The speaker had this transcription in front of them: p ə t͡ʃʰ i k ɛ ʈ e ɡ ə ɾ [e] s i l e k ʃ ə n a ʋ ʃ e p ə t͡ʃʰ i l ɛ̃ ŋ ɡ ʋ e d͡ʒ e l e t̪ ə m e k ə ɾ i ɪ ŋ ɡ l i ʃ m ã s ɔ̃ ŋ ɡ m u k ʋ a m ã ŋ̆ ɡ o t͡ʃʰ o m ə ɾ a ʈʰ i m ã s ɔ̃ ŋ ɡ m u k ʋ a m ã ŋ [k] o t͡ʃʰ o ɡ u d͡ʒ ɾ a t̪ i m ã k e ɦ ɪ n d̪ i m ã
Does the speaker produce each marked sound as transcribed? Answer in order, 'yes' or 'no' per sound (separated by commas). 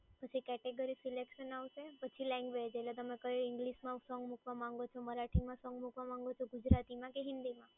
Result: no, no